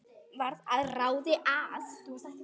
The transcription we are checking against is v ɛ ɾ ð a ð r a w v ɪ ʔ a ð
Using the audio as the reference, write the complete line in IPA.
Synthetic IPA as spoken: v a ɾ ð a ð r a w ð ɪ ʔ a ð